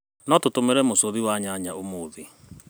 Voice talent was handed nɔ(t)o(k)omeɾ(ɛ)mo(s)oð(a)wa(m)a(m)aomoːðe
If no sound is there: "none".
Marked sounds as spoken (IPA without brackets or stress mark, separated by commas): t, t, ɛ, s, i, ɲ, ɲ